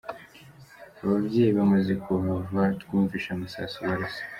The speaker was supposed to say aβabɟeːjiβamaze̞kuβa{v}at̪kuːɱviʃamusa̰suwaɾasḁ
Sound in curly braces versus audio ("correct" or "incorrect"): correct